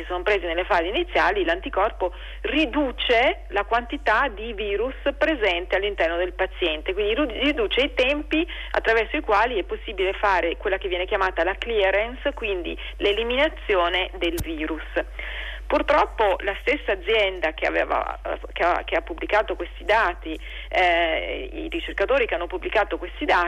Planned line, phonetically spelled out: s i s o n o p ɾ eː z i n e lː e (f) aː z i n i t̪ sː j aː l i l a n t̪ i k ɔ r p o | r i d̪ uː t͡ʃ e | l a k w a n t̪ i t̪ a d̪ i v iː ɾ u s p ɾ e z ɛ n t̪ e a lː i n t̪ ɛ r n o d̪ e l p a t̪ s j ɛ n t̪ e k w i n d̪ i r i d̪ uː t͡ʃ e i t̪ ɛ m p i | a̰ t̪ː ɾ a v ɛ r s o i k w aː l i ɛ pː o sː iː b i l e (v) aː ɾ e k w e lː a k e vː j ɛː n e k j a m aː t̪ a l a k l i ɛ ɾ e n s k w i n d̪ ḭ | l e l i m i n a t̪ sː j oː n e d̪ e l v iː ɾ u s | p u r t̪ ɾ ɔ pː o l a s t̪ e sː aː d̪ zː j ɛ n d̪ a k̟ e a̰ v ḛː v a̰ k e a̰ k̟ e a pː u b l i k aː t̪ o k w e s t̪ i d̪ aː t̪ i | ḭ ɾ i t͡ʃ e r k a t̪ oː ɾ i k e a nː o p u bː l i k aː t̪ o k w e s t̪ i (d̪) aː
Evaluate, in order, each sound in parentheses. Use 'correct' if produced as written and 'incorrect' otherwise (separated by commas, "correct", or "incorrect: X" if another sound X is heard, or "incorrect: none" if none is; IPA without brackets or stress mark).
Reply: correct, incorrect: f, correct